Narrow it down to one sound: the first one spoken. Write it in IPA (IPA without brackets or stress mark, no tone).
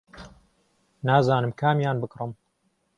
n